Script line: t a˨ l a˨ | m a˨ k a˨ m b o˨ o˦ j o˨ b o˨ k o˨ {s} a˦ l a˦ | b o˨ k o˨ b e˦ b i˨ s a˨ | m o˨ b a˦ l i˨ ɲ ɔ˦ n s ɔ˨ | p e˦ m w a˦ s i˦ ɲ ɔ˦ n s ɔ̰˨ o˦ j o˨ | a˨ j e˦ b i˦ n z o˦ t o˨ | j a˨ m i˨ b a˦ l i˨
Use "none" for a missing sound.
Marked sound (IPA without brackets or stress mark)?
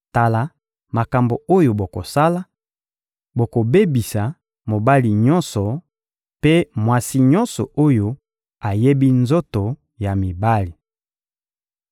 s